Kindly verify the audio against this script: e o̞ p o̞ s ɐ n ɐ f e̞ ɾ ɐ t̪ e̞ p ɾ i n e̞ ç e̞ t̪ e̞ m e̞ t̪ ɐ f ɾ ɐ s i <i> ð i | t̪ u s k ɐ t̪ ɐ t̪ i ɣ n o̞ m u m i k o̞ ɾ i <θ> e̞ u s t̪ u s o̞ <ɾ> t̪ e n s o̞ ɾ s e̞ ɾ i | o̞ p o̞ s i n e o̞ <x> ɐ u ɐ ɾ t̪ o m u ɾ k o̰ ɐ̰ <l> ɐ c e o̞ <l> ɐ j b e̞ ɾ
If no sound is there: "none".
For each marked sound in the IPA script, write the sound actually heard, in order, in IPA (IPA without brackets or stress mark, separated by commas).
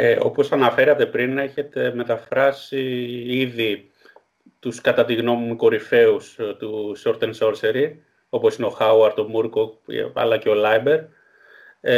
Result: i, f, ɾ, x, l, l